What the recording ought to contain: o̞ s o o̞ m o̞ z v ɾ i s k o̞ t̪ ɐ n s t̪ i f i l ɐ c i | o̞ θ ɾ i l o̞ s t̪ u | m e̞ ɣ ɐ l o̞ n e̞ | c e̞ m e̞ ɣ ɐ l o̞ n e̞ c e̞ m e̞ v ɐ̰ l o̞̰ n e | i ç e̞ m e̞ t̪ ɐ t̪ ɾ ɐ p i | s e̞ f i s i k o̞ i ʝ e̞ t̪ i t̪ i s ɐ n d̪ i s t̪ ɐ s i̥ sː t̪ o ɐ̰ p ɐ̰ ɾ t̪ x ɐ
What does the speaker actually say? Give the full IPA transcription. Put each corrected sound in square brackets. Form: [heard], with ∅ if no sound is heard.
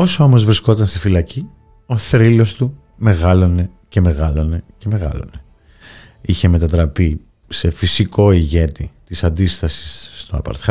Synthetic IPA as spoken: o̞ s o o̞ m o̞ z v ɾ i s k o̞ t̪ ɐ n s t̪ i f i l ɐ c i | o̞ θ ɾ i l o̞ s t̪ u | m e̞ ɣ ɐ l o̞ n e̞ | c e̞ m e̞ ɣ ɐ l o̞ n e̞ c e̞ m e̞ [ɣ] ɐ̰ l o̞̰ n e | i ç e̞ m e̞ t̪ ɐ t̪ ɾ ɐ p i | s e̞ f i s i k o̞ i ʝ e̞ t̪ i t̪ i s ɐ n d̪ i s t̪ ɐ s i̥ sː t̪ o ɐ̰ p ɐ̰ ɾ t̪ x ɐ